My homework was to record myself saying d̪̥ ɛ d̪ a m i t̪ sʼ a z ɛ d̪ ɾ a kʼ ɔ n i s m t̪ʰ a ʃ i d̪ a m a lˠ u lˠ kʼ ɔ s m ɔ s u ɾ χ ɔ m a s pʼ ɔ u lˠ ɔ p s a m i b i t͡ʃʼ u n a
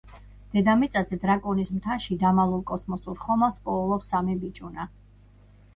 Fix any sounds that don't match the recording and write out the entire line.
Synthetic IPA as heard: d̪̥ ɛ d̪ a m i t̪ sʼ a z ɛ d̪ ɾ a kʼ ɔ n i s m t̪ʰ a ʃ i d̪ a m a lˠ u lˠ kʼ ɔ s m ɔ s u ɾ χ ɔ m a s pʼ ɔ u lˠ ɔ p s a m i b i t͡ʃʼ u n a